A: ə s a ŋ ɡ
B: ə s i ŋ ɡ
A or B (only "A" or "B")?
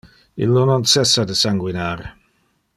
A